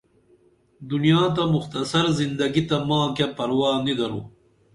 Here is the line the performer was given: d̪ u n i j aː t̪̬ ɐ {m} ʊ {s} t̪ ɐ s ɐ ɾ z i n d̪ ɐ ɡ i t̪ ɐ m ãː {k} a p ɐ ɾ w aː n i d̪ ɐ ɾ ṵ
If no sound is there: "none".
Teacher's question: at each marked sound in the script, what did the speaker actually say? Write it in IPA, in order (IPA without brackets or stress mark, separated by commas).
m, x, k